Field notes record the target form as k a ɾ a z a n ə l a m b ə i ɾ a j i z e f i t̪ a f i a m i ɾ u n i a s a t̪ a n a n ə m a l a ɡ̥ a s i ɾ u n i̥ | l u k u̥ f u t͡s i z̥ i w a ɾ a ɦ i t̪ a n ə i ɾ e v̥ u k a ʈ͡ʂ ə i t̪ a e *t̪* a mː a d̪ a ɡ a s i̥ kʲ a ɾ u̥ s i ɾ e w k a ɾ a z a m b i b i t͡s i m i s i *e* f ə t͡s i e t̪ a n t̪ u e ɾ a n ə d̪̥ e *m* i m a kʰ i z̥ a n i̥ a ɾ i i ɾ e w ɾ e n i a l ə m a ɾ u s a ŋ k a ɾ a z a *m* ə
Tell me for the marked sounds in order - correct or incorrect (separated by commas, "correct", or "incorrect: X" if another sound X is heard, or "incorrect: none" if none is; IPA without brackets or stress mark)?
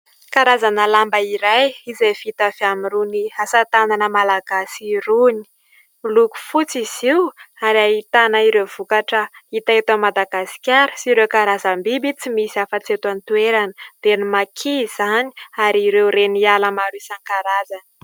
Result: correct, incorrect: a, incorrect: n, incorrect: n